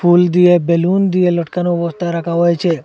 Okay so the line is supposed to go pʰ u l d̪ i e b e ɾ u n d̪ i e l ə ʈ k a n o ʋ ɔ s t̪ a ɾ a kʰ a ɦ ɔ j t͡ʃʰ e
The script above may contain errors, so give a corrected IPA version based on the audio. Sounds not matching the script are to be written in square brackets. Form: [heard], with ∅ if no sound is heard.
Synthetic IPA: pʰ u l d̪ i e b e [l] u n d̪ i e l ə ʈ k a n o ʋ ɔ s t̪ a ɾ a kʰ a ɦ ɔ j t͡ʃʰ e